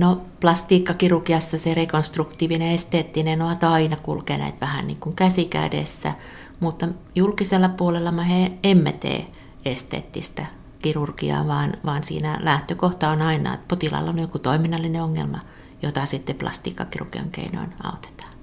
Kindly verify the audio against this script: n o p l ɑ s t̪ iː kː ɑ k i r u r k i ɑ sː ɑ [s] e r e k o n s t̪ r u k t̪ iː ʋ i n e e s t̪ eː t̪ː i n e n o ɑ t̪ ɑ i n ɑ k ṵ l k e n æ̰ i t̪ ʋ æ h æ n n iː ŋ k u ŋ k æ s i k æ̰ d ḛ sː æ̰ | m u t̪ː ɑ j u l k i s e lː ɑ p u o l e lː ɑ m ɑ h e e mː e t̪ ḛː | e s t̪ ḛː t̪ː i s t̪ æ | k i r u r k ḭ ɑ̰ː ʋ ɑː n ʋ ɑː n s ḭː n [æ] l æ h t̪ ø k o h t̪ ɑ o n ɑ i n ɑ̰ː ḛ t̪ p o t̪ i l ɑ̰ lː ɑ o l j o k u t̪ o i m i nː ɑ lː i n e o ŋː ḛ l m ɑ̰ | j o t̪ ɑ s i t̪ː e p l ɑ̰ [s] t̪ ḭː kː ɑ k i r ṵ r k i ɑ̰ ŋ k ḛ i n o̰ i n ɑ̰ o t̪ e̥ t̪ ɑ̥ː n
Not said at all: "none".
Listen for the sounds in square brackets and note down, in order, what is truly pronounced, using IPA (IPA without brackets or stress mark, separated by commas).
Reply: s, æ, s